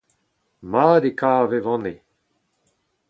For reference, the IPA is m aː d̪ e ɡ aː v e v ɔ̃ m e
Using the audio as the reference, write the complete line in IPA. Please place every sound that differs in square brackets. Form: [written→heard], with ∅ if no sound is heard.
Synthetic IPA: m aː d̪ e [ɡ→k] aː v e v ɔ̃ [m→n] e